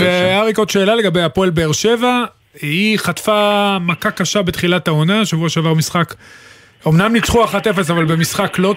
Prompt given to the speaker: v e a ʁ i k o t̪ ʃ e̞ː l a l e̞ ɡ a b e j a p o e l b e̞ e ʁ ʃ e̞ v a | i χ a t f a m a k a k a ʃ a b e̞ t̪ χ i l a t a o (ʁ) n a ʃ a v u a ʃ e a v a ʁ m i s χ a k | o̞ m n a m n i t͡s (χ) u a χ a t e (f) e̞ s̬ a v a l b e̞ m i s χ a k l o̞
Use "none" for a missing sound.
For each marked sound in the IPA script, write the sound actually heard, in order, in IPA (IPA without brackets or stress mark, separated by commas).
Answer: none, χ, f